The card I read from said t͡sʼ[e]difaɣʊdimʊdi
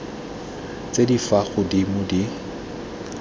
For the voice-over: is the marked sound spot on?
yes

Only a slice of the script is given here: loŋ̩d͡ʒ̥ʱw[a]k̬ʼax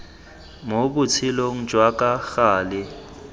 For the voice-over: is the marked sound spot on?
yes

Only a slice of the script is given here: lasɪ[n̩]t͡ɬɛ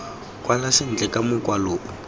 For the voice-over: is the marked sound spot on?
yes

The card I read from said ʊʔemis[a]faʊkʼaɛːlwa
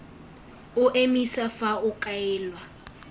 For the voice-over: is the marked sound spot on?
yes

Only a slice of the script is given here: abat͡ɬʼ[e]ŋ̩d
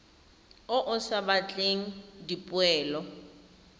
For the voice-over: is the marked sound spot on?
yes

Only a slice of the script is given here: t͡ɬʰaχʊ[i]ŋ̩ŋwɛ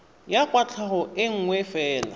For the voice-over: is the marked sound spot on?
no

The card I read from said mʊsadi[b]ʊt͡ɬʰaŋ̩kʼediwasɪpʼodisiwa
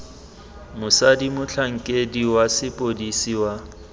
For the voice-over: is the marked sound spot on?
no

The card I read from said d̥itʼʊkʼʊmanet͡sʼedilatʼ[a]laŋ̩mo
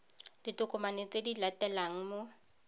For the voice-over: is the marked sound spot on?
no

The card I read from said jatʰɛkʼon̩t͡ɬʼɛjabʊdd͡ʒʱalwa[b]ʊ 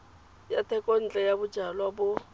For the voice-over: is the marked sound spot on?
yes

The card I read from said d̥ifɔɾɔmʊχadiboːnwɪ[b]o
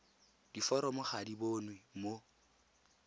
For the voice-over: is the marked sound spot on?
no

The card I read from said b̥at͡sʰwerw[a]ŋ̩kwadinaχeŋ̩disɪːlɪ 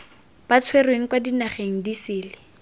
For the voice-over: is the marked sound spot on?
no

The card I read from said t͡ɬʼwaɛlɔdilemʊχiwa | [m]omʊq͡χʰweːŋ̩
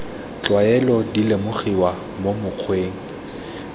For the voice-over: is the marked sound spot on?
yes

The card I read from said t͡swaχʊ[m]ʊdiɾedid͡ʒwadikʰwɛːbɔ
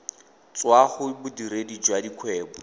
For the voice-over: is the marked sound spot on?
no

